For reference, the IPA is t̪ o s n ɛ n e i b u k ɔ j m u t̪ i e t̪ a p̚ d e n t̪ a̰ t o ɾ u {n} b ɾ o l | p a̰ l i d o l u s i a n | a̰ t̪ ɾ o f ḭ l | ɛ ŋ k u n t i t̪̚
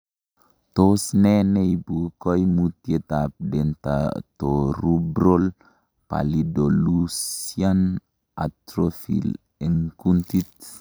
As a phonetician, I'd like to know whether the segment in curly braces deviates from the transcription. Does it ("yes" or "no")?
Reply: yes